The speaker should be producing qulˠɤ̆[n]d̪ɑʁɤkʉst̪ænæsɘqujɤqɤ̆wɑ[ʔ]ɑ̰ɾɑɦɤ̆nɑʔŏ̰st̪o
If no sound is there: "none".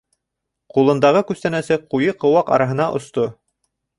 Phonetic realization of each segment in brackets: n, q

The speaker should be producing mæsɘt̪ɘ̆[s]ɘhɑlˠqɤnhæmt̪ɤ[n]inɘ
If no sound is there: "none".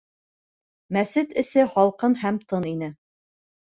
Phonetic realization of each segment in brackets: s, n

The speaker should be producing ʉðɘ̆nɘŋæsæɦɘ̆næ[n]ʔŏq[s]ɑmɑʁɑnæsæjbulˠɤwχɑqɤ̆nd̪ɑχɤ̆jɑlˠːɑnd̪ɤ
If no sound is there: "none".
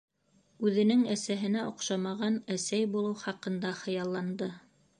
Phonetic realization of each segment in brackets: none, ʃ

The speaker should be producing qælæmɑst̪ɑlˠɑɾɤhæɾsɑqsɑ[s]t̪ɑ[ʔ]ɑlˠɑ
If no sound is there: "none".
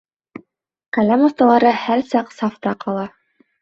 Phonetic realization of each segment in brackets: f, q

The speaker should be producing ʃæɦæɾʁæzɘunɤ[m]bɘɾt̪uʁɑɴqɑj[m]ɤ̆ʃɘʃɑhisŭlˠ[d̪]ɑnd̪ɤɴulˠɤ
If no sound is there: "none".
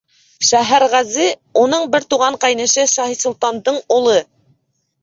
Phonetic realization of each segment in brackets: ɴ, n, t̪

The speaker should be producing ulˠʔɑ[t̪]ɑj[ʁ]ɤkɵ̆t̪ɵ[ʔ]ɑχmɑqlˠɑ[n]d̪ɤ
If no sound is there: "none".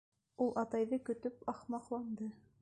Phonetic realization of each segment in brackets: t̪, ð, p, n

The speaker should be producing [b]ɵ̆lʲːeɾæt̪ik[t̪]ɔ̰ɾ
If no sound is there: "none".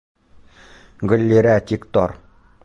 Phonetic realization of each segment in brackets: ɡ, t̪

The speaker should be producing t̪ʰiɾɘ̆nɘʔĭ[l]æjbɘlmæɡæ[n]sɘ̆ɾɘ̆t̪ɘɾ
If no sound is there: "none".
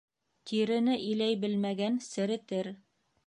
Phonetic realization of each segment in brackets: l, n

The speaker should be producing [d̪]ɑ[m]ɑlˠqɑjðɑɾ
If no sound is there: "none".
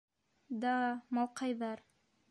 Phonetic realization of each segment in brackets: d̪, m

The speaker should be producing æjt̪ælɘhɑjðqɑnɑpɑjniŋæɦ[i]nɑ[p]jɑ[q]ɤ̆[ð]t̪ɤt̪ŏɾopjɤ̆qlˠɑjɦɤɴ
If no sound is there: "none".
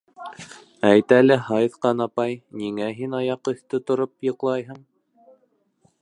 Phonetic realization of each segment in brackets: i, none, q, θ

